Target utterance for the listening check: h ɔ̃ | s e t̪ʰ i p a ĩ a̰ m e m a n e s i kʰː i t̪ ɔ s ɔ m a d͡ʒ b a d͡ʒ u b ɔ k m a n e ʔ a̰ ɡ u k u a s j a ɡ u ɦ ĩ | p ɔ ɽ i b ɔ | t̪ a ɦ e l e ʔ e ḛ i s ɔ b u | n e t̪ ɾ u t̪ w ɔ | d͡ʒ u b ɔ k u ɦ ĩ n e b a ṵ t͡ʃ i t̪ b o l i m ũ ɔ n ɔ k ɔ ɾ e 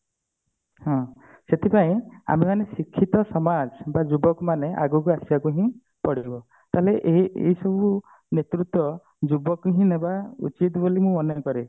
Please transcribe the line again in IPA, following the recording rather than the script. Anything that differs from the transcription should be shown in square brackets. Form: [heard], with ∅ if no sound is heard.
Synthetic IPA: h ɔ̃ | s e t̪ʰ i p a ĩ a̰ m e m a n e s i kʰː i t̪ ɔ s ɔ m a d͡ʒ b a d͡ʒ u b ɔ k m a n e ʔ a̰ ɡ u k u a s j a [k] u ɦ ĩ | p ɔ ɽ i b ɔ | t̪ a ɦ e l e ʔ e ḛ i s ɔ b u | n e t̪ ɾ u t̪ w ɔ | d͡ʒ u b ɔ k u ɦ ĩ n e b a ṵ t͡ʃ i t̪ b o l i m ũ ɔ n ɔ k ɔ ɾ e

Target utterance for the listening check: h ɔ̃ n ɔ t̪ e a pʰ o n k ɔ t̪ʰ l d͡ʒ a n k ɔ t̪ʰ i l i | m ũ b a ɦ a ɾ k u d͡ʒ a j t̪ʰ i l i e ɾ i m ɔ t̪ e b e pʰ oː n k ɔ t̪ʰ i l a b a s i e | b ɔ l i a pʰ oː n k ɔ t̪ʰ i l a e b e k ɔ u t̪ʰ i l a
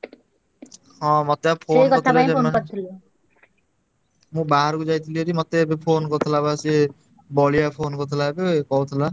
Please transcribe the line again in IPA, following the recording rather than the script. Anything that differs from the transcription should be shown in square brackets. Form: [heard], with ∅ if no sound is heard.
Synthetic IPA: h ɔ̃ [m] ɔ t̪ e a pʰ o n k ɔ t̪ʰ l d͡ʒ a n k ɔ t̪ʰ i l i | m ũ b a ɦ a ɾ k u d͡ʒ a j t̪ʰ i l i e ɾ i m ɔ t̪ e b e pʰ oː n k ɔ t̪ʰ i l a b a s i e | b ɔ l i a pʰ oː n k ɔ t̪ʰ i l a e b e k ɔ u t̪ʰ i l a

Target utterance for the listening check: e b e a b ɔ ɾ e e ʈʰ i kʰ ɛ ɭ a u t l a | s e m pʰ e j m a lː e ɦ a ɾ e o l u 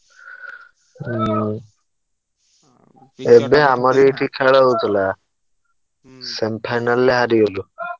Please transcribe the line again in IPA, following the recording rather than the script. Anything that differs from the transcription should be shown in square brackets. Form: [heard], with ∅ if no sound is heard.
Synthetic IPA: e b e a [m] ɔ ɾ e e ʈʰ i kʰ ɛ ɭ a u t l a | s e m pʰ [a] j [n] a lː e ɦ a ɾ [i] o l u

